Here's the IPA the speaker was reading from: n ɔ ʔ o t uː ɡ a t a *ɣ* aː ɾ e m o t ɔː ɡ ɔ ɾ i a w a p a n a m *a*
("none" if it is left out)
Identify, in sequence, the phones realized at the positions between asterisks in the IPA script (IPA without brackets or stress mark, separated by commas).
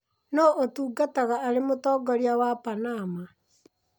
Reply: ɣ, a